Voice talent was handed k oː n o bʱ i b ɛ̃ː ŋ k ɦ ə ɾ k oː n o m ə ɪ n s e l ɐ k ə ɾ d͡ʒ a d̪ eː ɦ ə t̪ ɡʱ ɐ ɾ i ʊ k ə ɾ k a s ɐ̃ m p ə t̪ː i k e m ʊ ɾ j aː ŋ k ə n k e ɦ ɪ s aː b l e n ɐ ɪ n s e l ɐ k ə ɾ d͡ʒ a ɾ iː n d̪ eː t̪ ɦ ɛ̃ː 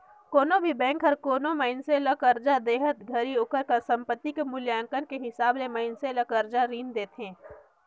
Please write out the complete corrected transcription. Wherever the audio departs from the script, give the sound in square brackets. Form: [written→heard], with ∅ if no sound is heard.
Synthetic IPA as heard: k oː n o bʱ i b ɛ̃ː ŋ k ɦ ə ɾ k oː n o m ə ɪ n s e l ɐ k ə ɾ d͡ʒ a d̪ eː ɦ ə t̪ ɡʱ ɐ ɾ i ʊ k ə ɾ k a s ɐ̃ m p ə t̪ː i k e m ʊ [ɾ→l] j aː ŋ k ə n k e ɦ ɪ s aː b l e [n→m] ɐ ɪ n s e l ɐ k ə ɾ d͡ʒ a ɾ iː n d̪ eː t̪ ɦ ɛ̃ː